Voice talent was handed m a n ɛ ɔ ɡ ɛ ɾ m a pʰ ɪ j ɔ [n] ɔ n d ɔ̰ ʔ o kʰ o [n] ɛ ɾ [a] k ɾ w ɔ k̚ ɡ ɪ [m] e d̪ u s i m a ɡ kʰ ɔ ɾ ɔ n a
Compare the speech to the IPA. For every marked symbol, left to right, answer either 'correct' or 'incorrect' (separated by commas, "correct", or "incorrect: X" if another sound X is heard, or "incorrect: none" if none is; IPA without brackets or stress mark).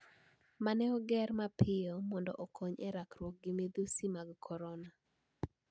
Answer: incorrect: m, incorrect: ɲ, correct, correct